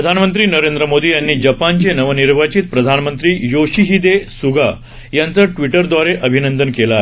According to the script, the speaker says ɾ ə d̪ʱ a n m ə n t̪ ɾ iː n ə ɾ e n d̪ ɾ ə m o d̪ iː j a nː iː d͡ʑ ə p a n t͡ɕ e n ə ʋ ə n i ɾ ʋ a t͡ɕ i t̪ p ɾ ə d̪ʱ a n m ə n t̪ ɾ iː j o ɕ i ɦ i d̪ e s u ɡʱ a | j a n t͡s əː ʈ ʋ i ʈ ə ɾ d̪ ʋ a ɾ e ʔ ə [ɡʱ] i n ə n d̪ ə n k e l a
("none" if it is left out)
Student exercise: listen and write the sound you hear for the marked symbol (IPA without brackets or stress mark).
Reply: bʱ